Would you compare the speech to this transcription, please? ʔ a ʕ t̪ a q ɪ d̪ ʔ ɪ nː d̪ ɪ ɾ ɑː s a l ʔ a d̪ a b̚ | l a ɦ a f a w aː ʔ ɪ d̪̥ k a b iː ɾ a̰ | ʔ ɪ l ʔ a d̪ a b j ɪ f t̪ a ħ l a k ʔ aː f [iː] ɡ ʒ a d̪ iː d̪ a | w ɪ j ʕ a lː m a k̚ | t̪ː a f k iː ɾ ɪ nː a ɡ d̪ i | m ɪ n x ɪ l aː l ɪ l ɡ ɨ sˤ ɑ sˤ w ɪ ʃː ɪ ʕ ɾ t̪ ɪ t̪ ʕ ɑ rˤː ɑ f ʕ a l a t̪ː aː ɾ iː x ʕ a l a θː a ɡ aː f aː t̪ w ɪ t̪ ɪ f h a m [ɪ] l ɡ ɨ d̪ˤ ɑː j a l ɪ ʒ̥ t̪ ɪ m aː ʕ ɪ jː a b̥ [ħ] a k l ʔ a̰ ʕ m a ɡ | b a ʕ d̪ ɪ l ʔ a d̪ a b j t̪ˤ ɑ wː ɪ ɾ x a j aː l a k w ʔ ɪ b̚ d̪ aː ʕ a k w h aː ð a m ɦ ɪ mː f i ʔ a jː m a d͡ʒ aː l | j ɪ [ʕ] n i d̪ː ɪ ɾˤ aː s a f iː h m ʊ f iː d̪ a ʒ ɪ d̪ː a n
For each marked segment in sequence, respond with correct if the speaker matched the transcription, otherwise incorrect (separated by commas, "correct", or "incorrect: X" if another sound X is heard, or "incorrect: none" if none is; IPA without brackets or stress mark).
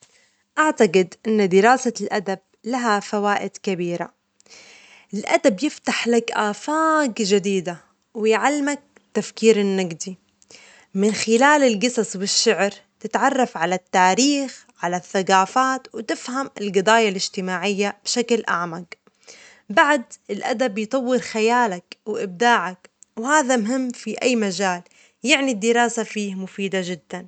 incorrect: aː, correct, incorrect: ʃ, correct